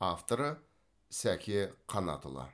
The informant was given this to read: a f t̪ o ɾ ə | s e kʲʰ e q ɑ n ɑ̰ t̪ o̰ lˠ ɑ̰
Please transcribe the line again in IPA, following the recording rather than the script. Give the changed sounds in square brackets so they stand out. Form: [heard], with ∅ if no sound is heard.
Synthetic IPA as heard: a f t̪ o ɾ ə | s [æ] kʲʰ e [qʰ] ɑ n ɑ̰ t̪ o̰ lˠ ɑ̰